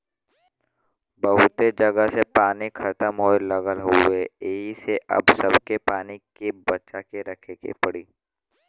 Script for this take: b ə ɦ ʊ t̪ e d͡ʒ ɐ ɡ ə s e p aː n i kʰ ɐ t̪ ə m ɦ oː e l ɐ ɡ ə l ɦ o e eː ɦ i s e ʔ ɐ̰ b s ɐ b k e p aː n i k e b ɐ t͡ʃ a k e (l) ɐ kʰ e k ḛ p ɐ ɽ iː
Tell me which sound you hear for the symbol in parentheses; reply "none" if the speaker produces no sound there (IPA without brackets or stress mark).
ɾ